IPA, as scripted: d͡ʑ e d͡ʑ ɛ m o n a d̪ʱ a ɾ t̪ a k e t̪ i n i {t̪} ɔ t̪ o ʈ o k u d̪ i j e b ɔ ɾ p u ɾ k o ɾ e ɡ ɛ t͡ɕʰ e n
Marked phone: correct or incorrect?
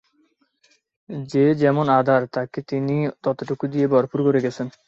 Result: correct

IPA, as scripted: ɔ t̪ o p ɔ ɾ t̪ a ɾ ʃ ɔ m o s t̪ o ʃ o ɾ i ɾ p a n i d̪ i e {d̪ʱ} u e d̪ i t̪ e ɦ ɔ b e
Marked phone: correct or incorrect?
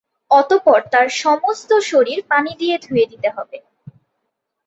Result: correct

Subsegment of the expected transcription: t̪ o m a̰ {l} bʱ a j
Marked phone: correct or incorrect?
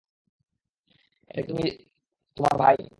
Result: incorrect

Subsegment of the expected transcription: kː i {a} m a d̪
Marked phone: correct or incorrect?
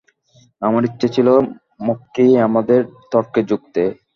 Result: correct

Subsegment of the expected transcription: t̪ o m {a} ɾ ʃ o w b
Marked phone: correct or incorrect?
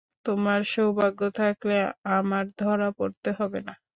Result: correct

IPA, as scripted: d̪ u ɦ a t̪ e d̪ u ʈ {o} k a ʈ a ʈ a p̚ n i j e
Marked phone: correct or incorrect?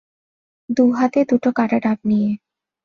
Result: correct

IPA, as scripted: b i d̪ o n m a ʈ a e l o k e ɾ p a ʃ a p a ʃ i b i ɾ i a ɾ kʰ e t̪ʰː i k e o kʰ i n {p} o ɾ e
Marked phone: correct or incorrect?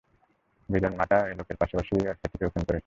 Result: incorrect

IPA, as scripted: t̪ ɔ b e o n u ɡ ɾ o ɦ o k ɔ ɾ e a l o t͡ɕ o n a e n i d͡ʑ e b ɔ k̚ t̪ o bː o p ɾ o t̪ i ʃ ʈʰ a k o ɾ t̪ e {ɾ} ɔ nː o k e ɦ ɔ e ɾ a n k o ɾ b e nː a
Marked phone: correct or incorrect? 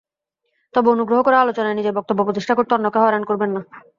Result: incorrect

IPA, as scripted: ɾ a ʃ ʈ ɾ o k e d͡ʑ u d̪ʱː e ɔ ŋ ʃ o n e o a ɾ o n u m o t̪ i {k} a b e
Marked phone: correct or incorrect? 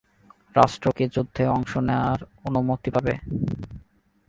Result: incorrect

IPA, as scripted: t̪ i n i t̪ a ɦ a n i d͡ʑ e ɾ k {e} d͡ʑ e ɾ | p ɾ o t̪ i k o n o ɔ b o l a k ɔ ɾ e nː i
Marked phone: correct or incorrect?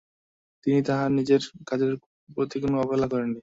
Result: incorrect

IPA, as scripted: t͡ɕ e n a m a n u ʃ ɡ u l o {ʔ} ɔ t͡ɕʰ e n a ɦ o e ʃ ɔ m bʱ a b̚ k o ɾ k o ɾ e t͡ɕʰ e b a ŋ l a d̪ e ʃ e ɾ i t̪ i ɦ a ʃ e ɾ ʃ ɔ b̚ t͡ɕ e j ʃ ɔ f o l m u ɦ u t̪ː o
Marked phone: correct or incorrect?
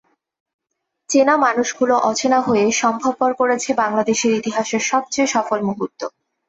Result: correct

